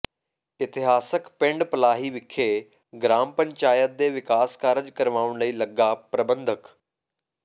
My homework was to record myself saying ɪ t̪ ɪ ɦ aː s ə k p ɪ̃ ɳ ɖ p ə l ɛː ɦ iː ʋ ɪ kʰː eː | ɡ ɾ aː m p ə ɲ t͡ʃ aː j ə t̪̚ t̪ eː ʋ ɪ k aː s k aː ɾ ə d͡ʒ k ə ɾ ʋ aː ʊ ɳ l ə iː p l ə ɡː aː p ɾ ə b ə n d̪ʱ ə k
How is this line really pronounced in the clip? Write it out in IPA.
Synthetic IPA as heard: ɪ t̪ ɪ ɦ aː s ə k p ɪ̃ ɳ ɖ p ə l aː ɦ iː ʋ ɪ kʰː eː | ɡ ɾ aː m p ə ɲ t͡ʃ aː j ə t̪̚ d̪ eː ʋ ɪ k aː s k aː ɾ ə d͡ʒ k ə ɾ ʋ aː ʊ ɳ l ə iː l ə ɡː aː p ɾ ə b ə n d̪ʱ ə k